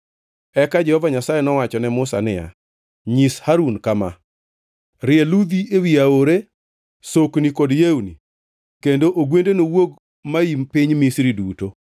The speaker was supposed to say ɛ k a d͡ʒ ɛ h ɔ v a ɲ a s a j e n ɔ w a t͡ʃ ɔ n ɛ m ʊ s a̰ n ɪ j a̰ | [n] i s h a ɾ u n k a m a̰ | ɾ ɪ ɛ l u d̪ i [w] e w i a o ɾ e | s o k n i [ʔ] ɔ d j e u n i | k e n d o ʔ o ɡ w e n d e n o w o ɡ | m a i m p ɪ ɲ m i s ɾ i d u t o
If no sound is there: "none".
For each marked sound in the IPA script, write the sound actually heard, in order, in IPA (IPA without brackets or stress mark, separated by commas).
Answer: ɲ, none, k